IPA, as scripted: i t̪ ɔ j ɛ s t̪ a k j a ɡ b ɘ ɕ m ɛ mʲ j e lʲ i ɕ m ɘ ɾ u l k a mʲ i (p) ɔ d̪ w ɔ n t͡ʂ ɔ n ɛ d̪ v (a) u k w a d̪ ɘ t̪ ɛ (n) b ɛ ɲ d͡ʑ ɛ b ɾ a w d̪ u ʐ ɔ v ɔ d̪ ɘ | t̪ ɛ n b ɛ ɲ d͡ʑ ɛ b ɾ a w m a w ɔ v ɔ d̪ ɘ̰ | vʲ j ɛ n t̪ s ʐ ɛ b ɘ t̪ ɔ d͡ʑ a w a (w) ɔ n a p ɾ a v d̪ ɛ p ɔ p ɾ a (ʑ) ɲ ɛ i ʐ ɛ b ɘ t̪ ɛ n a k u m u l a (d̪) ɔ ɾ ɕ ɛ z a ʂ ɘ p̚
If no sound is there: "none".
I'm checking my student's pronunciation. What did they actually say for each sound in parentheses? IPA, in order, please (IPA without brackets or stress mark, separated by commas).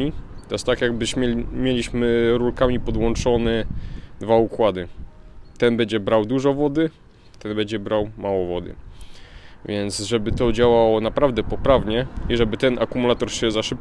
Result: p, a, n, w, v, t̪